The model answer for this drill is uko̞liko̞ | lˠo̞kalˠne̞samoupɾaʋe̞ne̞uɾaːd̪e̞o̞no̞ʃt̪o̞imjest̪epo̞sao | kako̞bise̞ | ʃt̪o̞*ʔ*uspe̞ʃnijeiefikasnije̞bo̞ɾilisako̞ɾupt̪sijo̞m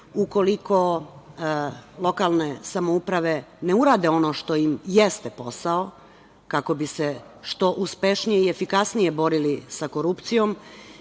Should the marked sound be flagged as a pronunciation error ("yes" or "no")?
no